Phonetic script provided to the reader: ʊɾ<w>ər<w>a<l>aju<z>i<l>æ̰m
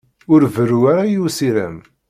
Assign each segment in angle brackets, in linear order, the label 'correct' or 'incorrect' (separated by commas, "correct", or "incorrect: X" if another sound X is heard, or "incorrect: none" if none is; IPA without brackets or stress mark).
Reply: incorrect: v, incorrect: u, incorrect: ɾ, incorrect: s, incorrect: ɾ